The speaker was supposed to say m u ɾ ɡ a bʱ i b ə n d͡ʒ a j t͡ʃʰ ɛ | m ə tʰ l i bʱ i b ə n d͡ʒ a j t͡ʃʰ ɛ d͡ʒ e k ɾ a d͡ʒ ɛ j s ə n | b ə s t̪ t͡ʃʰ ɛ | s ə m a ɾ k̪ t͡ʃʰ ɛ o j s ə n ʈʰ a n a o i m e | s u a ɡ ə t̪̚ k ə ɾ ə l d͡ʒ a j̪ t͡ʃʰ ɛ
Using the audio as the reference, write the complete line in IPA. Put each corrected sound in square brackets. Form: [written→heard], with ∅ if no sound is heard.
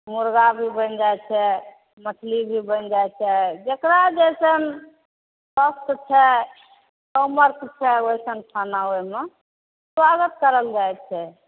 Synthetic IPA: m u ɾ ɡ a bʱ i b ə n d͡ʒ a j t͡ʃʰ ɛ | m ə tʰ l i bʱ i b ə n d͡ʒ a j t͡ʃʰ ɛ d͡ʒ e k ɾ a d͡ʒ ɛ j s ə n | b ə s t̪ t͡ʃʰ ɛ | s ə m [a→ə] ɾ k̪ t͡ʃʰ ɛ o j s ə n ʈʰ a n a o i m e | s [u→w] a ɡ ə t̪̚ k ə ɾ ə l d͡ʒ a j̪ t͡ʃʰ ɛ